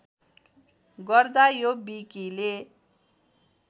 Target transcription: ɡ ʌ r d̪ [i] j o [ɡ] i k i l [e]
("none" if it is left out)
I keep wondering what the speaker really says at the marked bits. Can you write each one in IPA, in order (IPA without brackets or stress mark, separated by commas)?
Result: a, b, e